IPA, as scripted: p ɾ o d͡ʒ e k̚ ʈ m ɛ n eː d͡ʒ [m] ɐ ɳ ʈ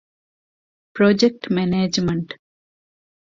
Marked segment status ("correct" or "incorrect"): correct